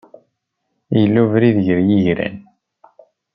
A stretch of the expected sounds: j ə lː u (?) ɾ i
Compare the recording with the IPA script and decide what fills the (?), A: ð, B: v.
B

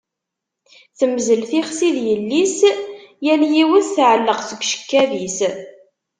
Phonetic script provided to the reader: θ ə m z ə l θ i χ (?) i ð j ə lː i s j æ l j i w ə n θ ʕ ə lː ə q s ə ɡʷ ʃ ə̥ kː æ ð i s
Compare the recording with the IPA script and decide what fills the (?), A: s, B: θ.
A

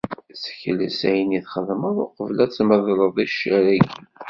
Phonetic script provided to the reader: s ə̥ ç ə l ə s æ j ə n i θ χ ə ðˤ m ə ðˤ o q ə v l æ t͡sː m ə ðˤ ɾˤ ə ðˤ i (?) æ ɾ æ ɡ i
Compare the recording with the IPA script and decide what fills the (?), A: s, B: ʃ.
B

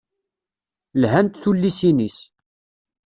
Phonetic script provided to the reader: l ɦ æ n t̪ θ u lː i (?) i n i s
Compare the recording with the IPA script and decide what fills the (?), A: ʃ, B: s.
B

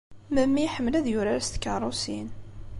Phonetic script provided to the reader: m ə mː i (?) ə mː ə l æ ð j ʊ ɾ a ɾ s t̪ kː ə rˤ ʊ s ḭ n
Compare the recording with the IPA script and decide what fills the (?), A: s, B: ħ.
B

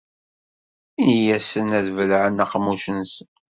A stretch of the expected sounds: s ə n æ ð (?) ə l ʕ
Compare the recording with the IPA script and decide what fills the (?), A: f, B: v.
B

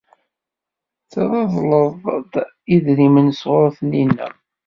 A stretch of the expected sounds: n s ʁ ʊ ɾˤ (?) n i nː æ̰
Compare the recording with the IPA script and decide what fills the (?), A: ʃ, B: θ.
B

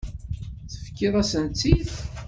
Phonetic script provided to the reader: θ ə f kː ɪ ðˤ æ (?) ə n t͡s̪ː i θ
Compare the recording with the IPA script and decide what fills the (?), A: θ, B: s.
B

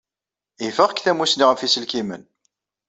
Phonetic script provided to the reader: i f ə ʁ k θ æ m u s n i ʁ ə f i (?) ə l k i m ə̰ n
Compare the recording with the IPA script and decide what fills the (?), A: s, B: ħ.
A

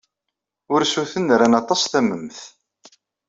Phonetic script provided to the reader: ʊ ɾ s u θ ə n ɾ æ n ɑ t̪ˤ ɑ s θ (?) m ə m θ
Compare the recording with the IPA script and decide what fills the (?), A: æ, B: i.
A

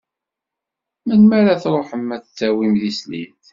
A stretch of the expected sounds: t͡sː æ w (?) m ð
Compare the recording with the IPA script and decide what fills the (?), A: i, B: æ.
A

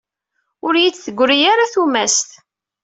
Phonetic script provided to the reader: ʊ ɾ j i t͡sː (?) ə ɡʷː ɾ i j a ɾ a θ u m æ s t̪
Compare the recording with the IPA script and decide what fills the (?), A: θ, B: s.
A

